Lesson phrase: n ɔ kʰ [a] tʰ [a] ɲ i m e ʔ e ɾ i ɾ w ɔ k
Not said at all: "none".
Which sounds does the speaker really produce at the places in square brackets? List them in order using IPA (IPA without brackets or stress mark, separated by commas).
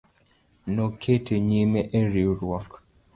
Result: e, e